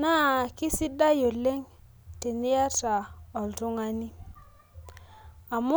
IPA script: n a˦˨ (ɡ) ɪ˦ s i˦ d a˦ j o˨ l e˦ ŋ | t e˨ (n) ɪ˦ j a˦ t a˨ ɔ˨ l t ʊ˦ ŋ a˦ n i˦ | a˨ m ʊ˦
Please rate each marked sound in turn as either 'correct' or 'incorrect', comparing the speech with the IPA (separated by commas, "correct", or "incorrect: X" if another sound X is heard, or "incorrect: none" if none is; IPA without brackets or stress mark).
incorrect: k, correct